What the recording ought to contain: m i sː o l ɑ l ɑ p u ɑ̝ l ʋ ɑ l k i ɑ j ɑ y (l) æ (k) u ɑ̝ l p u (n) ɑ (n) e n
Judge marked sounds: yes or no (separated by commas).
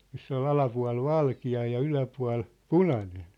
yes, no, yes, yes